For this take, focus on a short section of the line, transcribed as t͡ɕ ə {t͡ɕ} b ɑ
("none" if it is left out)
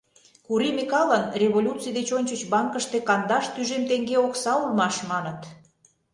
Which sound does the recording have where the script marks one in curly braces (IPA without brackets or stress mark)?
t͡ɕ